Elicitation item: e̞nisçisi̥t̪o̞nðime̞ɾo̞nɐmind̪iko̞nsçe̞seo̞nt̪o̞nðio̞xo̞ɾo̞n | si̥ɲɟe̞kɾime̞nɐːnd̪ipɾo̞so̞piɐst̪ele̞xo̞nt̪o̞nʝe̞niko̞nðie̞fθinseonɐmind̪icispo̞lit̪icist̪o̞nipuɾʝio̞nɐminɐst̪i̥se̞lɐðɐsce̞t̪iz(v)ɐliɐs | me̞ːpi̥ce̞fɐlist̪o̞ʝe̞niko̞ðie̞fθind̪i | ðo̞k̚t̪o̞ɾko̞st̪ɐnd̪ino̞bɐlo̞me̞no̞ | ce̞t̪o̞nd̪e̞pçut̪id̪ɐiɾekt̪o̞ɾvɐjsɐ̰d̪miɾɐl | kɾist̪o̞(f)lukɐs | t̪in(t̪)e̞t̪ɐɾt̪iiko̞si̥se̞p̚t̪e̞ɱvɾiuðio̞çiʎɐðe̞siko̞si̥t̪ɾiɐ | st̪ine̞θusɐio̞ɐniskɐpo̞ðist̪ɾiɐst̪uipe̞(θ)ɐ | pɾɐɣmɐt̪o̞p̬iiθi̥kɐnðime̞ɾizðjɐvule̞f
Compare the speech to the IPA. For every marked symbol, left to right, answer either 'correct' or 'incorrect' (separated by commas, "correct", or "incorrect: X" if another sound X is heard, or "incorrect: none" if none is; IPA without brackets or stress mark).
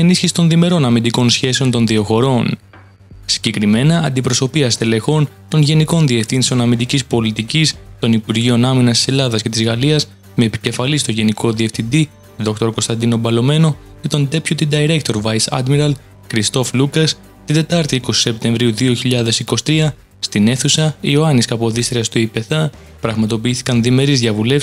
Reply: incorrect: ɣ, correct, incorrect: d̪, correct